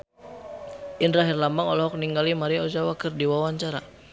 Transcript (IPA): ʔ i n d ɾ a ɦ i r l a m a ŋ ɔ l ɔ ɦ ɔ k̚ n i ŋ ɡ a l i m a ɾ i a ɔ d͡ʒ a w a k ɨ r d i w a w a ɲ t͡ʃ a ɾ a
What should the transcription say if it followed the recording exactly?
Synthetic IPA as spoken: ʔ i n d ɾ a ɦ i r l a m a ŋ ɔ l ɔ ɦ ɔ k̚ n i ŋ ɡ a l i m a ɾ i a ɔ d͡ʒ a w a k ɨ r d i w a w a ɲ t͡ʃ a ɾ a